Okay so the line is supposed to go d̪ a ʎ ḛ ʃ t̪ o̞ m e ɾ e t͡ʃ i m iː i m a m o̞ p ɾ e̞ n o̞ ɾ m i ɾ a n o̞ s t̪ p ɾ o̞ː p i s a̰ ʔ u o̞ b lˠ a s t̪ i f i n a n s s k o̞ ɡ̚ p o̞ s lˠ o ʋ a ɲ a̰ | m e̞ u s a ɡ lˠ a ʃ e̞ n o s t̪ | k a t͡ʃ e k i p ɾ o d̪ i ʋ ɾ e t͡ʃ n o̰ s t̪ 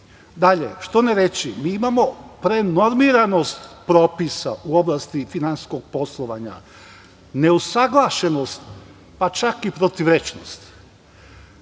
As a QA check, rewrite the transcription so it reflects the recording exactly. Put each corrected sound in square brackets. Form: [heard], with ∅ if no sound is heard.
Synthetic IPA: d̪ a ʎ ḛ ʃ t̪ o̞ [n] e ɾ e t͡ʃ i m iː i m a m o̞ p ɾ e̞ n o̞ ɾ m i ɾ a n o̞ s t̪ p ɾ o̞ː p i s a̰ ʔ u o̞ b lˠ a s t̪ i f i n a n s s k o̞ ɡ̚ p o̞ s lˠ o ʋ a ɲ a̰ | [n] e̞ u s a ɡ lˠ a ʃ e̞ n o s t̪ | [p] a t͡ʃ [a] k i p ɾ o [t̪] i ʋ ɾ e t͡ʃ n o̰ s t̪

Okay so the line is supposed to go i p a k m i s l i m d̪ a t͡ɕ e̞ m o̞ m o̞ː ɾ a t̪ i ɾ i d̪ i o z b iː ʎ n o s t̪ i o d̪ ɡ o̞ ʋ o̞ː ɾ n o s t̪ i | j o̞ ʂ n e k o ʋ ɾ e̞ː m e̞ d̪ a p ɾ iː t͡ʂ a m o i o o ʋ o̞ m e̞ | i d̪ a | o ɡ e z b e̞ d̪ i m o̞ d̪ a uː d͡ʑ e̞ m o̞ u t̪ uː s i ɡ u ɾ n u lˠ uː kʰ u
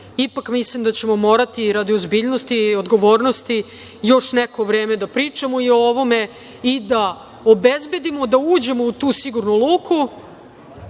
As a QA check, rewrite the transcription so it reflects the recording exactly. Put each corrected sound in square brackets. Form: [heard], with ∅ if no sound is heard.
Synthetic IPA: i p a k m i s l i m d̪ a t͡ɕ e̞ m o̞ m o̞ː ɾ a t̪ i ɾ [a] d̪ i o z b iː ʎ n o s t̪ i o d̪ ɡ o̞ ʋ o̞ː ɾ n o s t̪ i | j o̞ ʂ n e k o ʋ ɾ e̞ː m e̞ d̪ a p ɾ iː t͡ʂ a m o i o o ʋ o̞ m e̞ | i d̪ a | o [b] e z b e̞ d̪ i m o̞ d̪ a uː d͡ʑ e̞ m o̞ u t̪ uː s i ɡ u ɾ n u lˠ uː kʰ u

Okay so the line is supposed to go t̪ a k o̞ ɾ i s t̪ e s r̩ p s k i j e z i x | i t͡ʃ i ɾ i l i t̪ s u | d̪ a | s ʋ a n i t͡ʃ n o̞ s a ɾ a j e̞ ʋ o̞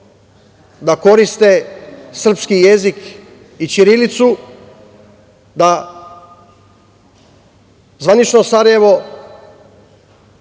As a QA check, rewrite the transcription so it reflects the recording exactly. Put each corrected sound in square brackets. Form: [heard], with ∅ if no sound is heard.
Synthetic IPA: [d̪] a k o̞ ɾ i s t̪ e s r̩ p s k i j e z i [k] | i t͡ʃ i ɾ i l i t̪ s u | d̪ a | [z] ʋ a n i t͡ʃ n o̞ s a ɾ a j e̞ ʋ o̞

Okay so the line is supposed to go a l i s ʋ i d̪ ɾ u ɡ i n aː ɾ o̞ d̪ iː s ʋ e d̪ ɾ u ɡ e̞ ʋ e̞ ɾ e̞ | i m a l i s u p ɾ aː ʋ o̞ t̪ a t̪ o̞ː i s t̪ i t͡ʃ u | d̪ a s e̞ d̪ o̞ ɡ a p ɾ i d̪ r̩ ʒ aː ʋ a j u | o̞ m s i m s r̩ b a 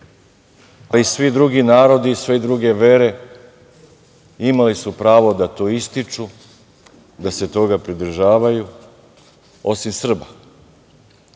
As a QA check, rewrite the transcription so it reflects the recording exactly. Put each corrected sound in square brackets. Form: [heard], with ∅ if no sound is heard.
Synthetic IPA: a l i s ʋ i d̪ ɾ u ɡ i n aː ɾ o̞ d̪ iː s ʋ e d̪ ɾ u ɡ e̞ ʋ e̞ ɾ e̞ | i m a l i s u p ɾ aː ʋ o̞ [d̪] a t̪ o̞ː i s t̪ i t͡ʃ u | d̪ a s e̞ [t̪] o̞ ɡ a p ɾ i d̪ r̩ ʒ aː ʋ a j u | o̞ [∅] s i m s r̩ b a

